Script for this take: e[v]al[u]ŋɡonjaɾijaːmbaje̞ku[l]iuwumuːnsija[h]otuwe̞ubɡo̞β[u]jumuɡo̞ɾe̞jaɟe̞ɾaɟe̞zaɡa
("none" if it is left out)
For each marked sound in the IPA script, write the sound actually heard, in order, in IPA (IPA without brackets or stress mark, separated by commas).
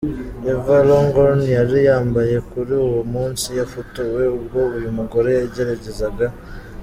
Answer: v, o, ɾ, f, u